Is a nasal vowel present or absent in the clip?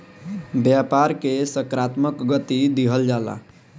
absent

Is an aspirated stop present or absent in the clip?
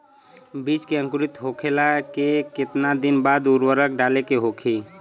present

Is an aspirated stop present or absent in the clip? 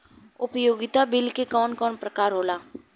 absent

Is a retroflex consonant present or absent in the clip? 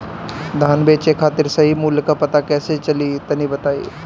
absent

